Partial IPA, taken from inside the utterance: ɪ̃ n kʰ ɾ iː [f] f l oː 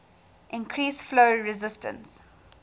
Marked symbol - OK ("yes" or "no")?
no